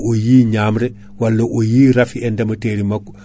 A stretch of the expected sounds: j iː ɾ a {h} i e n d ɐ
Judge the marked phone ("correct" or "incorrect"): incorrect